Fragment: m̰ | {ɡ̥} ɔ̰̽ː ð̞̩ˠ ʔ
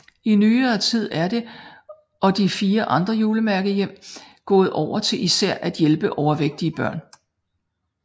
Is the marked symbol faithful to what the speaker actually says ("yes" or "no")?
yes